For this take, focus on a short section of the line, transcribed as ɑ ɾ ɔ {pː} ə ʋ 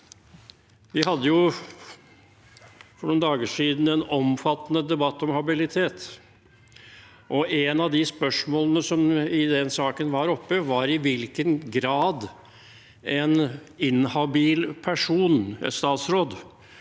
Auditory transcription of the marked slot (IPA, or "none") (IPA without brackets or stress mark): pː